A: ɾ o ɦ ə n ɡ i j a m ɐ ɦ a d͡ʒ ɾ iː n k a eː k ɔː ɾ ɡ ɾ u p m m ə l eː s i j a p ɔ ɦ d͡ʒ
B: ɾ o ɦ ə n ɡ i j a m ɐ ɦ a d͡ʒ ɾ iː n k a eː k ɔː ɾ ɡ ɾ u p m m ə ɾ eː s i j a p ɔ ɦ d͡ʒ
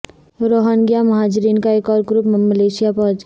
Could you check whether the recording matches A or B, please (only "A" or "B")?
A